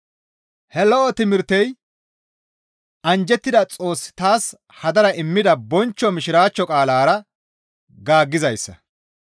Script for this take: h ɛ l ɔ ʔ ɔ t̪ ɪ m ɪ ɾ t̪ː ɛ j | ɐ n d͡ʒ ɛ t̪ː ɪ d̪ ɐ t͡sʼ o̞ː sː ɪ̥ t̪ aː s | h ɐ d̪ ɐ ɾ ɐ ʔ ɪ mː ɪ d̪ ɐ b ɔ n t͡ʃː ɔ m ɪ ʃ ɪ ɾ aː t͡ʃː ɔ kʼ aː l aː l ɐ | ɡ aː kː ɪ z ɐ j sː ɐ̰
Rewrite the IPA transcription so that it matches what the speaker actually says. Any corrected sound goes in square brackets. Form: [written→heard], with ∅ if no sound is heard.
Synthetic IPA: h ɛ l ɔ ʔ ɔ t̪ ɪ m ɪ ɾ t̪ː ɛ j | ɐ n d͡ʒ ɛ t̪ː ɪ d̪ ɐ t͡sʼ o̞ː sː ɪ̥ t̪ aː s | h ɐ d̪ ɐ ɾ ɐ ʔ ɪ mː ɪ d̪ ɐ b ɔ n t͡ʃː ɔ m ɪ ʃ ɪ ɾ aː t͡ʃː ɔ kʼ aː l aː [l→ɾ] ɐ | ɡ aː [kː→ɡː] ɪ z ɐ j sː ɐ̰